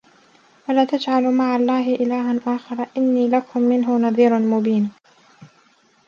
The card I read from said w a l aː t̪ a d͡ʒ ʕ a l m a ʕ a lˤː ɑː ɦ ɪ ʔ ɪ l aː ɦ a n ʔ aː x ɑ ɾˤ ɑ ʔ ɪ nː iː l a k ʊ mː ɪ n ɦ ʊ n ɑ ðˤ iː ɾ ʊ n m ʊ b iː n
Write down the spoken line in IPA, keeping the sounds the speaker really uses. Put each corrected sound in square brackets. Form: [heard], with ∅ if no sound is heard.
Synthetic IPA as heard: w a l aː t̪ a d͡ʒ ʕ a l m a ʕ a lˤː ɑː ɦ ɪ ʔ ɪ l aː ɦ a n ʔ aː x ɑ ɾˤ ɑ ʔ ɪ nː iː l a k ʊ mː ɪ n ɦ ʊ n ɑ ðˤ iː ɾ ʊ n m ʊ b iː n